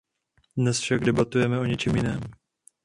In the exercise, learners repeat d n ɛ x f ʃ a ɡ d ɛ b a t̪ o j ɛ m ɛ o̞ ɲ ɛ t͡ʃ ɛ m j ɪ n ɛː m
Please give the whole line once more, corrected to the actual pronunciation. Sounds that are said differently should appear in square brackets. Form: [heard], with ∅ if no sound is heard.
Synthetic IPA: d n ɛ [s] f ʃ a ɡ d ɛ b a t̪ [u] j ɛ m ɛ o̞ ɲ ɛ t͡ʃ ɛ m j ɪ n ɛː m